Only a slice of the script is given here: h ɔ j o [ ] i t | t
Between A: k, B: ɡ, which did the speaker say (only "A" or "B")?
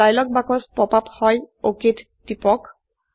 A